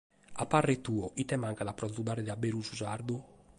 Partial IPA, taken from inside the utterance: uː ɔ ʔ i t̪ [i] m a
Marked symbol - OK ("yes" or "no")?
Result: no